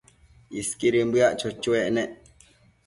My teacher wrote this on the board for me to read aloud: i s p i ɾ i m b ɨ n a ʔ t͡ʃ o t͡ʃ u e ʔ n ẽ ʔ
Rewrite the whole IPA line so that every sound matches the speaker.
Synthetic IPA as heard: i s k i ɾ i m b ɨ a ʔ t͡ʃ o t͡ʃ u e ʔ n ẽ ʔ

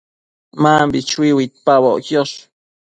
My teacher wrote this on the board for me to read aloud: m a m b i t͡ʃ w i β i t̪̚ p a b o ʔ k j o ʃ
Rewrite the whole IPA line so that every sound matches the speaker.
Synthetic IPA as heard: m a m b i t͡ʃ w i w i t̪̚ p a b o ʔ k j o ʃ

